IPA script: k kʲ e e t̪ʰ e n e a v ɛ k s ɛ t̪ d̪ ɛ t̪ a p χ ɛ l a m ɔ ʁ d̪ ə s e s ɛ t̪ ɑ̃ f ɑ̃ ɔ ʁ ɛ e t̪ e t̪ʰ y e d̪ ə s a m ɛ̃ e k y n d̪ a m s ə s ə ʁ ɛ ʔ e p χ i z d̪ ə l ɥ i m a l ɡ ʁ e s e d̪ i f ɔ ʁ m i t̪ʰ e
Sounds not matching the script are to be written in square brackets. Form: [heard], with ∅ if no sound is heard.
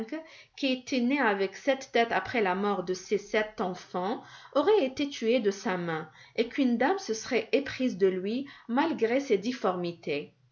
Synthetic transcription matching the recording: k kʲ [i] e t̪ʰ e n e a v ɛ k s ɛ t̪ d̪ ɛ t̪ a p χ ɛ l a m ɔ ʁ d̪ ə s e s ɛ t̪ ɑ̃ f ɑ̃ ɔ ʁ ɛ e t̪ e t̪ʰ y e d̪ ə s a m ɛ̃ e k y n d̪ a m s ə s ə ʁ ɛ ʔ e p χ i z d̪ ə l ɥ i m a l ɡ ʁ e s e d̪ i f ɔ ʁ m i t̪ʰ e